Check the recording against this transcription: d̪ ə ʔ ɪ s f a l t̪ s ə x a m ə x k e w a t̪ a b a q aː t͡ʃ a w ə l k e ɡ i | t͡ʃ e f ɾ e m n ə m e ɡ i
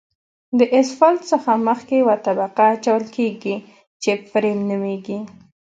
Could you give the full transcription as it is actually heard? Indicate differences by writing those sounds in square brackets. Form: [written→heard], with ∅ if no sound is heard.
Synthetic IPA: d̪ ə ʔ ɪ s f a l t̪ s ə x a m ə x k e w a t̪ a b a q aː t͡ʃ a w ə l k e ɡ i | t͡ʃ e f ɾ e m n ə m e ɡ i